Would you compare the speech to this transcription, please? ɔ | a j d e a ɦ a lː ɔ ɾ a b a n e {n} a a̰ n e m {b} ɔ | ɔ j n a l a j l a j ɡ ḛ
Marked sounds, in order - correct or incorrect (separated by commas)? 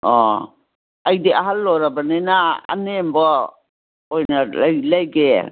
correct, correct